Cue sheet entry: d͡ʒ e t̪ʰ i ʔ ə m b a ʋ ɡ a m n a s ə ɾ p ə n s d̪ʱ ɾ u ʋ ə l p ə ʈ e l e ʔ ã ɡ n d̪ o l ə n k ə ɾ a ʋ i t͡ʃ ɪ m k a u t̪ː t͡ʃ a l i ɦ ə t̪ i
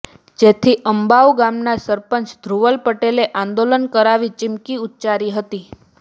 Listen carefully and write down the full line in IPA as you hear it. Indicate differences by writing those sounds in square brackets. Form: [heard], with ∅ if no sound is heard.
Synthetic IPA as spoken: d͡ʒ e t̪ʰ i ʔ ə m b a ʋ ɡ a m n a s ə ɾ p ə n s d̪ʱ ɾ u ʋ ə l p ə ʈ e l e ʔ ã [∅] n d̪ o l ə n k ə ɾ a ʋ i t͡ʃ ɪ m k [i] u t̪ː t͡ʃ a [ɾ] i ɦ ə t̪ i